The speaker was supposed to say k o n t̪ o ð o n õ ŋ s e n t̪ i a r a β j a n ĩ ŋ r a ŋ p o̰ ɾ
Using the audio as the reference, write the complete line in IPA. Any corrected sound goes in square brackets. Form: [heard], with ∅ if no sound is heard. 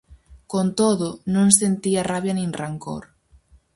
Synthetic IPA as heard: k o n t̪ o ð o n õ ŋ s e n t̪ i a r a β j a n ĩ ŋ r a ŋ [k] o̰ ɾ